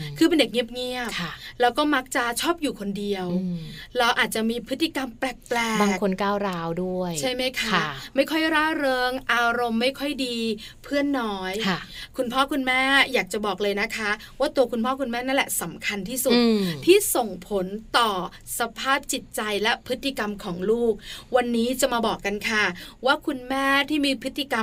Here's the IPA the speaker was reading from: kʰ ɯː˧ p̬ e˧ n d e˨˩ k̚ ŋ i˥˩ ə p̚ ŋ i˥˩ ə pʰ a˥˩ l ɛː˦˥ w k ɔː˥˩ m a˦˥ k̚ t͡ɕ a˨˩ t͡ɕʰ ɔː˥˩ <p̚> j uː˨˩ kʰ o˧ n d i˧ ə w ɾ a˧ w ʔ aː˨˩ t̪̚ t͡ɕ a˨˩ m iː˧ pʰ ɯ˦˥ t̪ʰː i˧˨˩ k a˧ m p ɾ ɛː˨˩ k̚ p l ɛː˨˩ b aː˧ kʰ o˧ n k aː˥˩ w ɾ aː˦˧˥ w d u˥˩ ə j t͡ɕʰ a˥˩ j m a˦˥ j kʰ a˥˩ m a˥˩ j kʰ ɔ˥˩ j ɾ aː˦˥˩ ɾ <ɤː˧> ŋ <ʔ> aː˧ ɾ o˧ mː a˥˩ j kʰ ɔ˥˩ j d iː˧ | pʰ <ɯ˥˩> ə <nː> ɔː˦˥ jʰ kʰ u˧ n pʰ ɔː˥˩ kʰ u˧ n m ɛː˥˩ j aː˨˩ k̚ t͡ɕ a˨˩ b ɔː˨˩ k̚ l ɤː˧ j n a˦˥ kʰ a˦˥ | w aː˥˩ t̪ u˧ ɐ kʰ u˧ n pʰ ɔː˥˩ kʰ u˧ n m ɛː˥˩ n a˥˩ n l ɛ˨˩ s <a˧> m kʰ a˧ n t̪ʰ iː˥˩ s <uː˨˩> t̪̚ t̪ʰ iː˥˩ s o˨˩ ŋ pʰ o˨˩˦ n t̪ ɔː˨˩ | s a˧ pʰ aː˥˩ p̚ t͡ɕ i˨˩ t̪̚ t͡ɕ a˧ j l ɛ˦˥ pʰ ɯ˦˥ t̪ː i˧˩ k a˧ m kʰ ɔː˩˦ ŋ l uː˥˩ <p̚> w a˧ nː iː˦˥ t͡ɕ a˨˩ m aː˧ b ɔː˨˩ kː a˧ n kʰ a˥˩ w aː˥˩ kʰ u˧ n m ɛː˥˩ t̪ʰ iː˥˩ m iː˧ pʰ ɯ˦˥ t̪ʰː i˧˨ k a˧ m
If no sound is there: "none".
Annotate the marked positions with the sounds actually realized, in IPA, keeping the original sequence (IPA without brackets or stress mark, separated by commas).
p̚, ɤː˧, ʔ, ɯ˥˩, nː, a˩˦, u˨˩, k̚